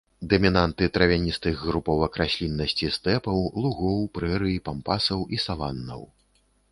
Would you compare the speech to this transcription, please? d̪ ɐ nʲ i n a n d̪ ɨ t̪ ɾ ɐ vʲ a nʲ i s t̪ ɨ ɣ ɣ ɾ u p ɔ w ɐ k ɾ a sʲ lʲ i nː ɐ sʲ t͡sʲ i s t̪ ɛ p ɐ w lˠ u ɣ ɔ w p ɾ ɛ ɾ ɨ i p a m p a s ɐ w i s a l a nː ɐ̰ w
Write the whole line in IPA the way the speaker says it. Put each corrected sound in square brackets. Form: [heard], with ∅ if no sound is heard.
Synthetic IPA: d̪ ɐ [mʲ] i n a n [t̪] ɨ t̪ ɾ ɐ vʲ a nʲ i s t̪ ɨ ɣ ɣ ɾ u p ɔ w ɐ k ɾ a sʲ lʲ i nː ɐ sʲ t͡sʲ i s t̪ ɛ p ɐ w lˠ u ɣ ɔ w p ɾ ɛ ɾ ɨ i p a m p a s ɐ w i s a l a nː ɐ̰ w